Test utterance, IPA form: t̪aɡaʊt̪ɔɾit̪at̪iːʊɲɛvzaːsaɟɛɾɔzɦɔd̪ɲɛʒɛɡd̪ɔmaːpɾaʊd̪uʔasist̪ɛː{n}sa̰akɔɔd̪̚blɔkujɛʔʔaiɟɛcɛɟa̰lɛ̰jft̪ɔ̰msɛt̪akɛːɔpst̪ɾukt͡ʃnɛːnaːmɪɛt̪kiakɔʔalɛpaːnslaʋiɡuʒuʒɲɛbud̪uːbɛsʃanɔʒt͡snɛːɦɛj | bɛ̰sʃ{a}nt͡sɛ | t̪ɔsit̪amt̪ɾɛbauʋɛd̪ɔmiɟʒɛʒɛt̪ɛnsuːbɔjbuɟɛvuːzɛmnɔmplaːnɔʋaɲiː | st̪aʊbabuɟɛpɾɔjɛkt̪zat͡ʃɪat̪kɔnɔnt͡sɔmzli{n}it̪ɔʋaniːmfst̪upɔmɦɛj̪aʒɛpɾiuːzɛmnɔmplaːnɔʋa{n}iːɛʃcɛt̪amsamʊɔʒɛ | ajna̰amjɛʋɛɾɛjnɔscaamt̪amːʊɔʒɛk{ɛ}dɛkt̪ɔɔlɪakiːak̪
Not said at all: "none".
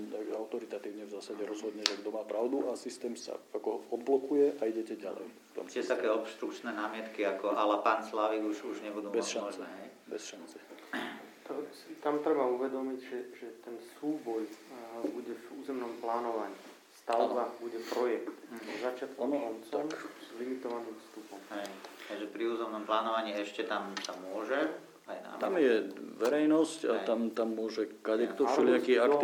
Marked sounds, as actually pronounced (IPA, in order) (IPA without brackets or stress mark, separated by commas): m, a, m, ɲ, a